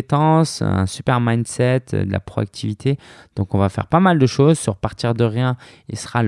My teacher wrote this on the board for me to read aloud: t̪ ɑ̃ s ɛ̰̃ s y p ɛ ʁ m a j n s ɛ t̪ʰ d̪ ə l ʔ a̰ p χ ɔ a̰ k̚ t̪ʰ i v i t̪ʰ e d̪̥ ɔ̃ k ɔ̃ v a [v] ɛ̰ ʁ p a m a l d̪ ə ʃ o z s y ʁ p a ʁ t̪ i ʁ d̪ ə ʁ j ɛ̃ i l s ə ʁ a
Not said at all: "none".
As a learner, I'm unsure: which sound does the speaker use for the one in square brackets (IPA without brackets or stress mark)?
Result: f